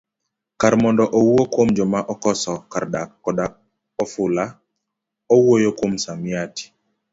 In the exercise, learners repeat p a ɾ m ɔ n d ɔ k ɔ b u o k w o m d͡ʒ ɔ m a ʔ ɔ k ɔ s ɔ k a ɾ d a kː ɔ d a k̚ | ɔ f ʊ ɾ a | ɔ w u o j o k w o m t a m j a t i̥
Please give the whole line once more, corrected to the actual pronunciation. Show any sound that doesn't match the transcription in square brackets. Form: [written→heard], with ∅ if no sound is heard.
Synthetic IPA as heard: [p→k] a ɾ m ɔ n d ɔ [k→ʔ] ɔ [b→w] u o k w o m d͡ʒ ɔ m a ʔ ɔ k ɔ s ɔ k a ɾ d a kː ɔ d a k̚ | ɔ f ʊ [ɾ→l] a | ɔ w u o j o k w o m [t→s] a m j a t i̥